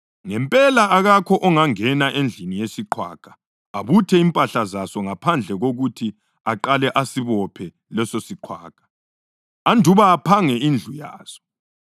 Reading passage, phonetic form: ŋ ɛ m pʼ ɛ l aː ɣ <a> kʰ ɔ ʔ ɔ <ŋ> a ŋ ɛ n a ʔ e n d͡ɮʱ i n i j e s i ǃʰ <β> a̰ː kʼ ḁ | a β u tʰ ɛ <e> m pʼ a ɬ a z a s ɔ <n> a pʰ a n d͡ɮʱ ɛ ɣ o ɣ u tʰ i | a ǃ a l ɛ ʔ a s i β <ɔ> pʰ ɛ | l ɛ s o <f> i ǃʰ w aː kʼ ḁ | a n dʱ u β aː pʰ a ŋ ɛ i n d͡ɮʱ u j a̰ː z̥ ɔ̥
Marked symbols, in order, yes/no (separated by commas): yes, yes, no, no, no, yes, no